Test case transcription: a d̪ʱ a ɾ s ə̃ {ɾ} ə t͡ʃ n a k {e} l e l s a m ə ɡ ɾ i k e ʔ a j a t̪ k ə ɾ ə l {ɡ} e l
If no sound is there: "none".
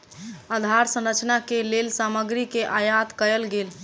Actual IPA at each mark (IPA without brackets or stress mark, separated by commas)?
ɾ, e, ɡ